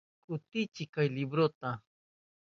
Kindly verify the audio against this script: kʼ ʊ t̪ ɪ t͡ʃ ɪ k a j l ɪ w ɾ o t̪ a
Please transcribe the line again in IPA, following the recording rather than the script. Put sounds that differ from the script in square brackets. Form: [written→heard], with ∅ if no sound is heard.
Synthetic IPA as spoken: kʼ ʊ t̪ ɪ t͡ʃ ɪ k a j l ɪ [w→b] ɾ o t̪ a